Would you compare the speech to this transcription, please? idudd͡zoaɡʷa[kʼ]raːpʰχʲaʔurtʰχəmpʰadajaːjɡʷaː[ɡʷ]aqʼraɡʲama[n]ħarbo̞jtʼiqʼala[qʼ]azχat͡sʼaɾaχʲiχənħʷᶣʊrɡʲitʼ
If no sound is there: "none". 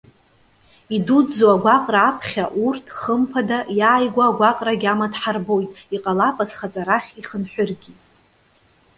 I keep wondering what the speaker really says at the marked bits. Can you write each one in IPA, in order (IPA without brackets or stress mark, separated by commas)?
qʼ, ɡʷ, d, pʼ